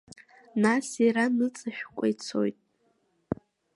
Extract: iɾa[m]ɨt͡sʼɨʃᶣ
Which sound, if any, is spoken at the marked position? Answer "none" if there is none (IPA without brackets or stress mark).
n